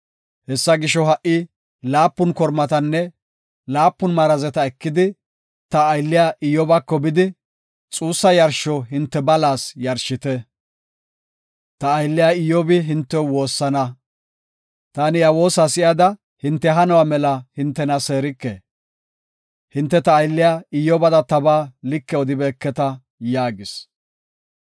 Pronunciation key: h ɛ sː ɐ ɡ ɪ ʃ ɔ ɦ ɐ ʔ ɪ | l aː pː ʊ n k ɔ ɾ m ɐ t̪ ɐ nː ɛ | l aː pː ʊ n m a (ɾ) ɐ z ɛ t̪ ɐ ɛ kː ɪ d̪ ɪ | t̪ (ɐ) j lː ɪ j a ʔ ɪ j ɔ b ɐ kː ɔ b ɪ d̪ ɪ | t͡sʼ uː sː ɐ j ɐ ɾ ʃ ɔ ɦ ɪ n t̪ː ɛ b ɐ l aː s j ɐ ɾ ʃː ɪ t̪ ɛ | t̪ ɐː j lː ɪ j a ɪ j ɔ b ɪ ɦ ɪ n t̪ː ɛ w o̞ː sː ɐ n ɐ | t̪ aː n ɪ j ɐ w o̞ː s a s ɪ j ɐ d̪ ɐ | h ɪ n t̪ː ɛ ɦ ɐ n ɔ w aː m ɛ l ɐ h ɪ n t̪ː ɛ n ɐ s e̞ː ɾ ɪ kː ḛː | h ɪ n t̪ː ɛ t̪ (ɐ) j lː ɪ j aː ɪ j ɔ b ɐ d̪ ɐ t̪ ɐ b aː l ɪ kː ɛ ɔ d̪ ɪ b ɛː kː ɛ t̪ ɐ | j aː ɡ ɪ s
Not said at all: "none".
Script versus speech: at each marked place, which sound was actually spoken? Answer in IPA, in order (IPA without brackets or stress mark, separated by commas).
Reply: ɾ, ɐː, ɐː